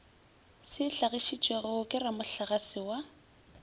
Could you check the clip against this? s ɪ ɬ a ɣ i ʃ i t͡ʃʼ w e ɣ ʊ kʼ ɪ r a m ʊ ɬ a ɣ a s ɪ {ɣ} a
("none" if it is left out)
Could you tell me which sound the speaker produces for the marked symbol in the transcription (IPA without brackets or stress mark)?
w